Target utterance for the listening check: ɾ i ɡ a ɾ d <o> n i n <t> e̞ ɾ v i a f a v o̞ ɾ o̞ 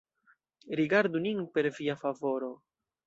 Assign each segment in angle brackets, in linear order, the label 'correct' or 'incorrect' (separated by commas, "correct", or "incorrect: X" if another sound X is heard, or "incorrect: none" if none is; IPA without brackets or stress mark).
incorrect: u, incorrect: p